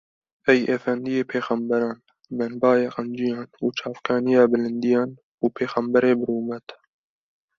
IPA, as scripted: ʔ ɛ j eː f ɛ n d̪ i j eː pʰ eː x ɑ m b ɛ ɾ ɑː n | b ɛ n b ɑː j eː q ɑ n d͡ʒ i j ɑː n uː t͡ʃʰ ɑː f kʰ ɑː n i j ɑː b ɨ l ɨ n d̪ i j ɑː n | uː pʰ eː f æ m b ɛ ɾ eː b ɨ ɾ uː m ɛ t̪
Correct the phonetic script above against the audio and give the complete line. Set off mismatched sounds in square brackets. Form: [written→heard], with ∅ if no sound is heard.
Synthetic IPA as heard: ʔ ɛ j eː f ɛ n d̪ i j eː pʰ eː x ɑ m b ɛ ɾ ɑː n | b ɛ n b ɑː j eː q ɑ n d͡ʒ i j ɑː n uː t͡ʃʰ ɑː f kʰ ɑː n i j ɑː b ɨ l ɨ n d̪ i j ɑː n | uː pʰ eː [f→x] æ m b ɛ ɾ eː b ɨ ɾ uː m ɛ t̪